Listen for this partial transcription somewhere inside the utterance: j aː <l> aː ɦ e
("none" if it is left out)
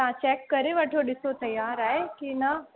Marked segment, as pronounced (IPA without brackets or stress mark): ɾ